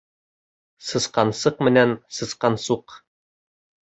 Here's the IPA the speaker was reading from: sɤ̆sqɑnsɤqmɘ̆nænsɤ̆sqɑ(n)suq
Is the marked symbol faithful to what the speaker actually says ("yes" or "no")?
yes